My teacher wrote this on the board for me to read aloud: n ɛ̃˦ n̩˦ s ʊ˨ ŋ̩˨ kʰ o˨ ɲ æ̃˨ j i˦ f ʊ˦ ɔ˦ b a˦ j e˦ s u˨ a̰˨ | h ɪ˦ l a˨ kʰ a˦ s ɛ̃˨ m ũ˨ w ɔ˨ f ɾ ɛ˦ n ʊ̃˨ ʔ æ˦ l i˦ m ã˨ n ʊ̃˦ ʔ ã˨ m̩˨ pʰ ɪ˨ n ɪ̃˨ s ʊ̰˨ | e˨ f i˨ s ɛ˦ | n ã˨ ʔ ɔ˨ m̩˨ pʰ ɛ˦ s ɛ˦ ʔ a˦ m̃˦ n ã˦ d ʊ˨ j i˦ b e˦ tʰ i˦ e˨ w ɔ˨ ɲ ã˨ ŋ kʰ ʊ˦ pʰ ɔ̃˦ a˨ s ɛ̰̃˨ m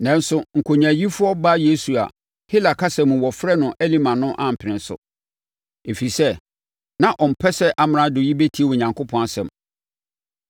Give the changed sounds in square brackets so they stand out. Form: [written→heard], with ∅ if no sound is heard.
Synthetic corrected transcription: n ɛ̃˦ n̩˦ s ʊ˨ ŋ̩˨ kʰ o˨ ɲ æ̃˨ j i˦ f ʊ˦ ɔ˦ b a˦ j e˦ s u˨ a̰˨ | h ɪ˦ l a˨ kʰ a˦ s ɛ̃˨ m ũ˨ w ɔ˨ f ɾ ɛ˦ n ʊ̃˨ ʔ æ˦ l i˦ m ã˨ n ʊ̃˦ ʔ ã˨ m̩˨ pʰ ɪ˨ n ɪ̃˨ s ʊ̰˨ | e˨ f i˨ s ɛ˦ | n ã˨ ʔ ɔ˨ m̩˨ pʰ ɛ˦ s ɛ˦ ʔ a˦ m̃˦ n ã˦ d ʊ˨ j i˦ b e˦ tʰ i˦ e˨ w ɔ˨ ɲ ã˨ ŋ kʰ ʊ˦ pʰ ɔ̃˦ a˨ s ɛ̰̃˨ m